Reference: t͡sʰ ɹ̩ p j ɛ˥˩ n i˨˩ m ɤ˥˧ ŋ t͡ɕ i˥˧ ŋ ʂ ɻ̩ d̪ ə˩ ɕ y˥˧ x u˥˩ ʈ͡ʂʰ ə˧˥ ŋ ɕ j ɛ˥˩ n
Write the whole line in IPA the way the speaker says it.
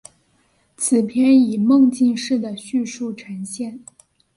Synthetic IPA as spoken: t͡sʰ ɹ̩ pʰ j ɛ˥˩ n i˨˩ m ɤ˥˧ ŋ t͡ɕ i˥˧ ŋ ʂ ɻ̩ d̪ ə˩ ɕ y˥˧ ʂ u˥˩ ʈ͡ʂʰ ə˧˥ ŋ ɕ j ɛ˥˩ n